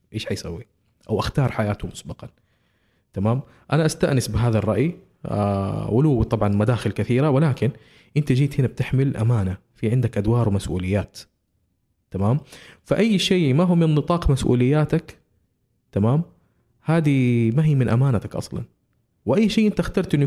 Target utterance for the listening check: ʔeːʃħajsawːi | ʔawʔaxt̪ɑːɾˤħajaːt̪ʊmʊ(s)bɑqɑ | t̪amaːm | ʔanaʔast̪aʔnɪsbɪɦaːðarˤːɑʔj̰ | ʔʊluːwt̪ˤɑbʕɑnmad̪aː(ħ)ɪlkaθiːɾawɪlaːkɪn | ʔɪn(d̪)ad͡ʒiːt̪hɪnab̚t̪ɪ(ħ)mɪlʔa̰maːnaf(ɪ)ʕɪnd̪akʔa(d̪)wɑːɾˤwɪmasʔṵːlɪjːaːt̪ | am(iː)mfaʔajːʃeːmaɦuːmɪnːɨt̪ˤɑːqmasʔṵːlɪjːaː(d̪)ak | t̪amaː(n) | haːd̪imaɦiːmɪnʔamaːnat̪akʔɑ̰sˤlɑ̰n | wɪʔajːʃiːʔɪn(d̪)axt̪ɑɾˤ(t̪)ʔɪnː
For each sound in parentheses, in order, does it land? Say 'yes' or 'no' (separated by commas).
yes, no, no, yes, no, yes, no, no, no, no, yes